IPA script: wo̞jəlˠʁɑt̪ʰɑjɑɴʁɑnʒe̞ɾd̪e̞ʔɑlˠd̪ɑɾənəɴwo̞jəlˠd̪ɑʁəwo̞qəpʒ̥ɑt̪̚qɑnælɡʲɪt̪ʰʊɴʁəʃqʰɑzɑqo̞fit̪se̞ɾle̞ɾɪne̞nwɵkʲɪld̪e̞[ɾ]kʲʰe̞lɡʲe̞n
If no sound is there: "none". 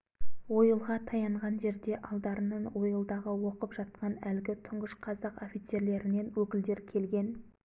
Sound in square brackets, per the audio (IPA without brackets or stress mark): ɾ